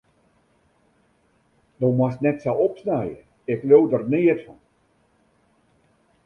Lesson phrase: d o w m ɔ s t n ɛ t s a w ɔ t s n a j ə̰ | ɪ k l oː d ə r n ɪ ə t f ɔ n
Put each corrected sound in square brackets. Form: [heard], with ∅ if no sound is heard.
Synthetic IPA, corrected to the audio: d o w m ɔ s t n ɛ t s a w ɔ [p] s n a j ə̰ | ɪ k l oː d ə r n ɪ ə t f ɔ n

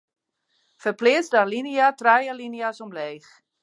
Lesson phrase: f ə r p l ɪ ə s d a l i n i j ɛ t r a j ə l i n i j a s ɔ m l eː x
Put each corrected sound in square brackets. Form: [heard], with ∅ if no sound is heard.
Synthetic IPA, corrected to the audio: f ə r p l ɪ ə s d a l i n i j [a] t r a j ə l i n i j a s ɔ m l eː x

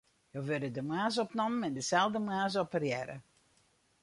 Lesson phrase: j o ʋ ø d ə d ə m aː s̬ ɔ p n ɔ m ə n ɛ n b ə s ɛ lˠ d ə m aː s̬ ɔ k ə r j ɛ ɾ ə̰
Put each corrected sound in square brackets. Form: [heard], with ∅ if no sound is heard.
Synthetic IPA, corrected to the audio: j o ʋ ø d ə d ə m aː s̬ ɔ p n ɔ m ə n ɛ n [d] ə s ɛ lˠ d ə m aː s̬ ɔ [p] ə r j ɛ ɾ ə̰

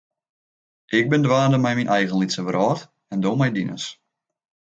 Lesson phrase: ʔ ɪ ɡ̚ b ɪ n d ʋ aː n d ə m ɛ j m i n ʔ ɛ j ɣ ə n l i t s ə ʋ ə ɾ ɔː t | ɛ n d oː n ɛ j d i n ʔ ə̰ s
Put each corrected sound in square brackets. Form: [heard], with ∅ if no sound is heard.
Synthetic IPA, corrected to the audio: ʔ ɪ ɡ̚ b ɪ n d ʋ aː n d ə m ɛ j m i n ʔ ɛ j ɣ ə n l i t s ə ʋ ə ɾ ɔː t | ɛ n d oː [m] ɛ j d i n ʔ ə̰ s

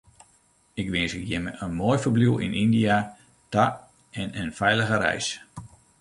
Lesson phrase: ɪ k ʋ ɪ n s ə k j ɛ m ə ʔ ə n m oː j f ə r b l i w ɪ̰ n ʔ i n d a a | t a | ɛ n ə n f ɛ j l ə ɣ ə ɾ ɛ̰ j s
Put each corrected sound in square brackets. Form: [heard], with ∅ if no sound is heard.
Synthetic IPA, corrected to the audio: ɪ k ʋ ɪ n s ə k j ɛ m ə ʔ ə n m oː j f ə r b l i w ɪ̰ n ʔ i n d [i] a | t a | ɛ n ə n f ɛ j l ə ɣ ə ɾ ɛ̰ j s

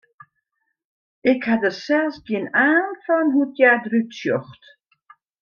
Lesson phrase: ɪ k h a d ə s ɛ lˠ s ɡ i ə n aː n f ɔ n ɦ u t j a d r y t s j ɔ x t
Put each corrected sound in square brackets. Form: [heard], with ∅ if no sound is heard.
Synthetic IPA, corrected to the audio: ɪ k h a d ə s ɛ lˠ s ɡ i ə n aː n f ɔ n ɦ u t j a d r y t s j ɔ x t

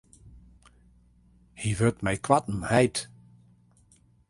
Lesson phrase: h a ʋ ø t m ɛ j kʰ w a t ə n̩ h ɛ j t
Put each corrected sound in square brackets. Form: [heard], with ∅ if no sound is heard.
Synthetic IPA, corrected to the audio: h [i] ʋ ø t m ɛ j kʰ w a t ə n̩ h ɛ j t

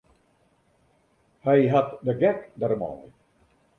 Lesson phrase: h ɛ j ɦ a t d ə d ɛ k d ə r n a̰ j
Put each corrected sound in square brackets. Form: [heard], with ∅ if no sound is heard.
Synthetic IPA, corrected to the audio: h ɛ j ɦ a t d ə [ɡ] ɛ k d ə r [m] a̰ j

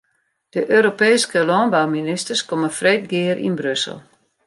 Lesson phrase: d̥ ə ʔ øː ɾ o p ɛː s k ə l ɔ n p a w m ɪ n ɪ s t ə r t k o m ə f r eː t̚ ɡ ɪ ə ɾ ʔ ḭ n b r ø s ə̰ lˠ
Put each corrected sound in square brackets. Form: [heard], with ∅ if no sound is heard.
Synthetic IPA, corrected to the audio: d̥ ə ʔ øː ɾ o p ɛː s k ə l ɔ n [b] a w m [i] n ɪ s t ə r [s] k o m ə f r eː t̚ ɡ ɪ ə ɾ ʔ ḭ n b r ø s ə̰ lˠ

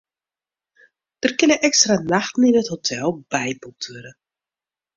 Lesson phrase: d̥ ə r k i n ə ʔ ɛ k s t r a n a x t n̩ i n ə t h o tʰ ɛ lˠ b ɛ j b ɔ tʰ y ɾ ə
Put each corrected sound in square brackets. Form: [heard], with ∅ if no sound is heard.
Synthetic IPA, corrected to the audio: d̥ ə r k [ɪ] n ə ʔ ɛ k s t r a n a x t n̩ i n ə t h o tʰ ɛ lˠ b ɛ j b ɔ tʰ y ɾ ə

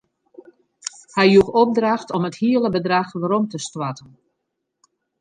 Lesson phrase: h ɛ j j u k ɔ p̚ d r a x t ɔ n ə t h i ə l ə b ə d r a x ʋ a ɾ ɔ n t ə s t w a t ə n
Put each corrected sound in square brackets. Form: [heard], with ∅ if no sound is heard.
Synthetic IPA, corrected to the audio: h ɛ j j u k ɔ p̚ d r a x t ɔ [m] ə t h i ə l ə b ə d r a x ʋ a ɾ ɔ [m] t ə s t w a t ə n

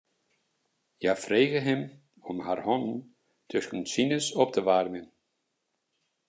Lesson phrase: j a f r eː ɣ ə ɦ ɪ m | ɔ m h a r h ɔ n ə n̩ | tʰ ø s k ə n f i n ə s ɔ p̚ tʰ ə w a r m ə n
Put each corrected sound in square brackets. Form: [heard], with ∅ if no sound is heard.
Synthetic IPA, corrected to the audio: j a f r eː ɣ ə ɦ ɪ m | ɔ m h a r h ɔ n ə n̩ | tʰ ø s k ə n [s] i n ə s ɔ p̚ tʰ ə [ʋ] a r m ə n

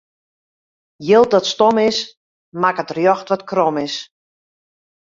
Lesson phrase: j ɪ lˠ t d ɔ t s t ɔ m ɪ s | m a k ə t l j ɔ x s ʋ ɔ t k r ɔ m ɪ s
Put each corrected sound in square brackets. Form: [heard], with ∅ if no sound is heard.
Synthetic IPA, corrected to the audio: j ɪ lˠ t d ɔ t s t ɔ m ɪ s | m a k ə t [r] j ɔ x [t] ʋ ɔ t k r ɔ m ɪ s

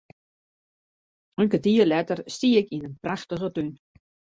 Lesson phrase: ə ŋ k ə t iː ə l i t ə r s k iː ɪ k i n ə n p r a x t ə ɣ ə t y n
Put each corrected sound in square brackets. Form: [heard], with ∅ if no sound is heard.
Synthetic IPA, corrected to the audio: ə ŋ k ə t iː ə l [ɛ] t ə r s [t] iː ɪ k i n ə n p r a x t ə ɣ ə t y n

